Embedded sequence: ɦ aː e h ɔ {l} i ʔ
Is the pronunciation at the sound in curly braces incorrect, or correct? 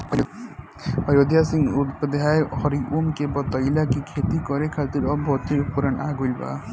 incorrect